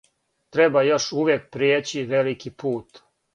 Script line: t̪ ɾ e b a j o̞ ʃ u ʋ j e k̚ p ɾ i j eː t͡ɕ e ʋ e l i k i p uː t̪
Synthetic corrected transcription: t̪ ɾ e b a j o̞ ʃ u ʋ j e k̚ p ɾ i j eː t͡ɕ i ʋ e l i k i p uː t̪